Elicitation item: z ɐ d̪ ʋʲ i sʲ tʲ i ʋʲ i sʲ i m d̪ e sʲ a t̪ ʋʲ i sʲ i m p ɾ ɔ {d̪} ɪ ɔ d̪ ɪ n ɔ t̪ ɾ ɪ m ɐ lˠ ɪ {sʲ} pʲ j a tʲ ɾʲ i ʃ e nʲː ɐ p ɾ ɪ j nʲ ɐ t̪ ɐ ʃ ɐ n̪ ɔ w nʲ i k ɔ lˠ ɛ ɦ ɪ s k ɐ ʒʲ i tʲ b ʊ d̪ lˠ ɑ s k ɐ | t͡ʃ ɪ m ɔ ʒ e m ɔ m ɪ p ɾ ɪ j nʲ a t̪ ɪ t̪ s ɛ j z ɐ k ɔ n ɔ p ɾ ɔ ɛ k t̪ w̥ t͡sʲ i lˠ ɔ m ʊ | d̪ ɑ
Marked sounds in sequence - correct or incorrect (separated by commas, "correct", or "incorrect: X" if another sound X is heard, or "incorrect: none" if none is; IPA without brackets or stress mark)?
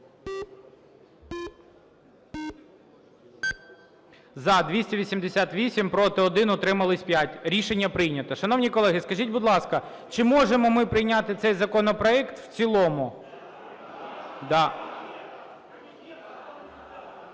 incorrect: t̪, correct